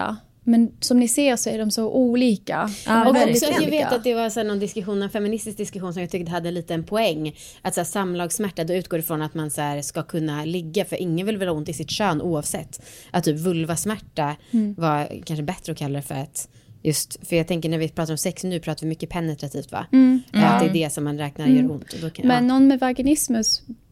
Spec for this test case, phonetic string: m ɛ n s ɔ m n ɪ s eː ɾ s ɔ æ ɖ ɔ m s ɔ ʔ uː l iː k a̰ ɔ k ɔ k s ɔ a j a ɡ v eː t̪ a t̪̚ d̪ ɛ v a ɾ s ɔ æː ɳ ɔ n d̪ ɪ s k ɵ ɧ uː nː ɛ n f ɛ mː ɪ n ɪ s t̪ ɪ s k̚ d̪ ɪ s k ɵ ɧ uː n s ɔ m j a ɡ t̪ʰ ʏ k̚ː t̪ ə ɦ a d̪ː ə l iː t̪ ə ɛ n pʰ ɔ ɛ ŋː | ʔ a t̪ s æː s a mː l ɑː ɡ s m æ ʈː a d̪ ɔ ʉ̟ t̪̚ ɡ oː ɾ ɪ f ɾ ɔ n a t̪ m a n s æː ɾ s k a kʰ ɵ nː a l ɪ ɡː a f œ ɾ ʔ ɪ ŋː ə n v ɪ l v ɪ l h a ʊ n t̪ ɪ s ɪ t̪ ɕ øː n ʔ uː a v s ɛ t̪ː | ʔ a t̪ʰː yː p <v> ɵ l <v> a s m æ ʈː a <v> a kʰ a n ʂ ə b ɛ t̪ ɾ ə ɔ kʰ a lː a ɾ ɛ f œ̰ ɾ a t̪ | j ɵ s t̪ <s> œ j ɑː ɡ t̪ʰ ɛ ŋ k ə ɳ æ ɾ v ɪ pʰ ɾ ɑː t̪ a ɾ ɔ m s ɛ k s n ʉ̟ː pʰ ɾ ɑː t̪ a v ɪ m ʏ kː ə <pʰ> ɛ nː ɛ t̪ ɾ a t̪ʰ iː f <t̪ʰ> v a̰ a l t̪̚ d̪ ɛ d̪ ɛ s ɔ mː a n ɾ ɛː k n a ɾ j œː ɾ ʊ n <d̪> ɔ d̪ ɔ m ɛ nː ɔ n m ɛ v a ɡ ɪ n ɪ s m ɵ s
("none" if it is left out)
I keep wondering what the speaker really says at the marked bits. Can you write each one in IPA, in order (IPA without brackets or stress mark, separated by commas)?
v, v, v, f, pʰ, t̪, t̪